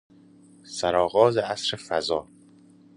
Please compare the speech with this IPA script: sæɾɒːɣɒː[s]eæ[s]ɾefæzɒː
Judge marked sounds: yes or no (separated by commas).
no, yes